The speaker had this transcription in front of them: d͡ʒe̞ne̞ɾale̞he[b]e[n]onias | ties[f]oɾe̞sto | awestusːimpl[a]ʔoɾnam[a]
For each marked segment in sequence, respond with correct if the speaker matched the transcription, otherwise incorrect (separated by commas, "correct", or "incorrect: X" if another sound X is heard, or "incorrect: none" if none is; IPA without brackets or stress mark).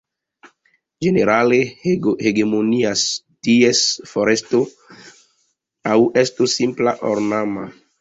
incorrect: ɡ, incorrect: m, correct, correct, correct